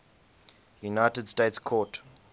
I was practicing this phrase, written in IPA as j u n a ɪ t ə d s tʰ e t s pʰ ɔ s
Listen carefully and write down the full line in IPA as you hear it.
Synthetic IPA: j u n a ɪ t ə d s t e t s kʰ ɔ t